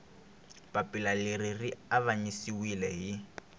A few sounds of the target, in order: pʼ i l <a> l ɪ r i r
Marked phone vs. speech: correct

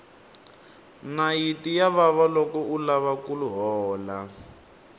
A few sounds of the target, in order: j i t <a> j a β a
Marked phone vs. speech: incorrect: i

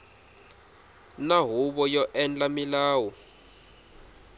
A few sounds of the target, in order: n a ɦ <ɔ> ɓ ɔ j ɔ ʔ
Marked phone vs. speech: incorrect: u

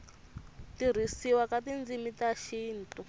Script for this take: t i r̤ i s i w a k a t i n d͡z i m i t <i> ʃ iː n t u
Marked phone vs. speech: incorrect: a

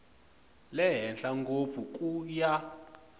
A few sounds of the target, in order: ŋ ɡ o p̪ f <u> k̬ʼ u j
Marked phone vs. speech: correct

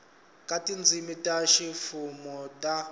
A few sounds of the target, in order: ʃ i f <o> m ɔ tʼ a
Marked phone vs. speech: incorrect: u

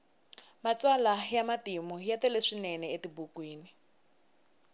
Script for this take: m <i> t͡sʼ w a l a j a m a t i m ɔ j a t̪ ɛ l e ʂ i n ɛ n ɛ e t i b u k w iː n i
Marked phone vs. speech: incorrect: a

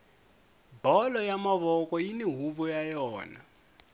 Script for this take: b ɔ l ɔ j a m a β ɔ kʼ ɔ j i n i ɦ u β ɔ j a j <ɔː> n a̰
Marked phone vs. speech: correct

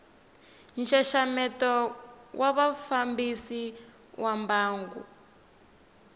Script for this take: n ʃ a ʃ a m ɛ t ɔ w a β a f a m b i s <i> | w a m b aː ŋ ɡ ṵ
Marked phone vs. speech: correct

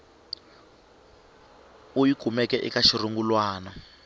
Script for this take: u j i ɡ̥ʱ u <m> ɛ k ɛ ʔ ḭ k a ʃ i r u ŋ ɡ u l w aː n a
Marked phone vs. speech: correct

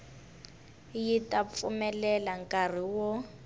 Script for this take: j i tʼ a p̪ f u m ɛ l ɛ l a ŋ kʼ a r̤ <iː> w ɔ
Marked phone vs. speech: incorrect: i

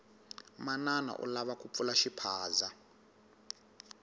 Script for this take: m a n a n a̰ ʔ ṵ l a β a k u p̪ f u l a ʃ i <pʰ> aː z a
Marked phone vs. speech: correct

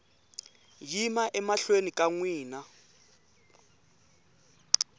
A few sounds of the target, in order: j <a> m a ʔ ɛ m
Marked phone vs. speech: incorrect: i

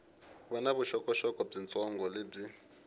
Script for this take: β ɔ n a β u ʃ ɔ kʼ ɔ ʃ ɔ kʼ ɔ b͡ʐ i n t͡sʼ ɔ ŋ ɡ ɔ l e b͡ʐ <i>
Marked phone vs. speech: correct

